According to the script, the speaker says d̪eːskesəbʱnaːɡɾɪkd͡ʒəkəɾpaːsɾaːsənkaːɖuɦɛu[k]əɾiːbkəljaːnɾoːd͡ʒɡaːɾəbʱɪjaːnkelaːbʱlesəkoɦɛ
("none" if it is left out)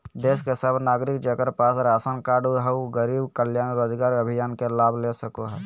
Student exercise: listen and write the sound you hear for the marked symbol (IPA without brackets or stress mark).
ɡ